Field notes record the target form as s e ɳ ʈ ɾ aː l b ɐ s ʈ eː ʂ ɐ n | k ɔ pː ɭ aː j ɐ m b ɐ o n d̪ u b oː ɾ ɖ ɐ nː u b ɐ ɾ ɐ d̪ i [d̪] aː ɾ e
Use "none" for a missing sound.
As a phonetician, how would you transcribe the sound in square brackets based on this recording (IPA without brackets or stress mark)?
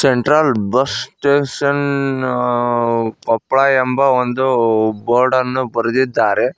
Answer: d̪ː